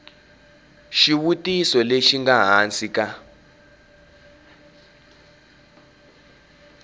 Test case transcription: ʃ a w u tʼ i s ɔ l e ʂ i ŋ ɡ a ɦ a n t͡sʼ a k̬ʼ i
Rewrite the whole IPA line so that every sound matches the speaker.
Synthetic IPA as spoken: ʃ i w u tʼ i s ɔ l e ʃ i ŋ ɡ a ɦ a n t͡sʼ i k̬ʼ a